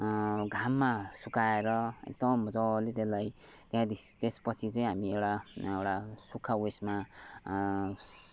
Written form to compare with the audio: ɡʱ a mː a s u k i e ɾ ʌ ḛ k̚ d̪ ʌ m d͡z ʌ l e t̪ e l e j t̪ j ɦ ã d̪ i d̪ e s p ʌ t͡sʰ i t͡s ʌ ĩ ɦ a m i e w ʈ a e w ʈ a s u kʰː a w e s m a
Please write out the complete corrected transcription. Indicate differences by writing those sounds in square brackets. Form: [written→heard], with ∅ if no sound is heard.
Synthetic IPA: ɡʱ a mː a s u k [i→a] e ɾ ʌ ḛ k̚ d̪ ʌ m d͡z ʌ l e t̪ e l [e→a] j t̪ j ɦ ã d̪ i [d̪→t̪] e s p ʌ t͡sʰ i t͡s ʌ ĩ ɦ a m i e w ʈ a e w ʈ a s u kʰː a w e s m a